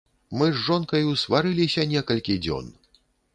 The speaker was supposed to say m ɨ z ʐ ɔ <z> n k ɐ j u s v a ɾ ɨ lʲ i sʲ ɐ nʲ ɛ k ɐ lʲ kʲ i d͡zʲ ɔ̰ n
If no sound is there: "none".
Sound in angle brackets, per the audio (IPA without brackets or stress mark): none